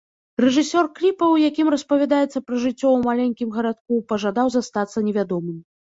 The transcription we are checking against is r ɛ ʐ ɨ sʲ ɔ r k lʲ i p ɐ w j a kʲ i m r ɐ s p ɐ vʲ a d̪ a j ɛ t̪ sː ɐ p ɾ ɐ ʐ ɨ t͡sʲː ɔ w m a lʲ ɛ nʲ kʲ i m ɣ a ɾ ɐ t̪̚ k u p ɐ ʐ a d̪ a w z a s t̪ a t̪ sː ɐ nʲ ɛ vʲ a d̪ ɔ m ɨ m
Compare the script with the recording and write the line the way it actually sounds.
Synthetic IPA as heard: r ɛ ʐ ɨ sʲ ɔ r k lʲ i p ɐ w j a kʲ i m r ɐ s p ɐ vʲ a d̪ a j ɛ t̪ sː ɐ p ɾ ɐ ʐ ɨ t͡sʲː ɔ w m a lʲ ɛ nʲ kʲ i m ɣ ɐ ɾ a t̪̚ k u p ɐ ʐ a d̪ a w z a s t̪ a t̪ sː ɐ nʲ ɛ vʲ a d̪ ɔ m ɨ m